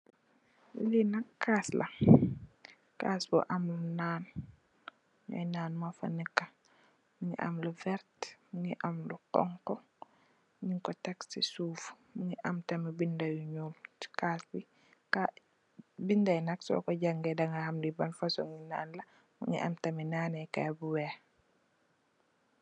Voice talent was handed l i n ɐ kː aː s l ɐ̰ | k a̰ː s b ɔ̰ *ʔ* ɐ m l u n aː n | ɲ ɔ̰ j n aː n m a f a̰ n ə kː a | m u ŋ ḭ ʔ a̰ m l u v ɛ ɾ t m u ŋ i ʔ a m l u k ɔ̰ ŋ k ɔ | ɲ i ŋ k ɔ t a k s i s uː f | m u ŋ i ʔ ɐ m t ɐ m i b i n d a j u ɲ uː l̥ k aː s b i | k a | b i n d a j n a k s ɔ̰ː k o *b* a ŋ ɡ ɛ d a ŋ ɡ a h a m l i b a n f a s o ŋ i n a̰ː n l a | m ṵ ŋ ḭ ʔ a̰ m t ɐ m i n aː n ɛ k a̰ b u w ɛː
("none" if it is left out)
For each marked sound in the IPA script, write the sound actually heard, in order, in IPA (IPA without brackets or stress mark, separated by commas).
ʔ, ɟ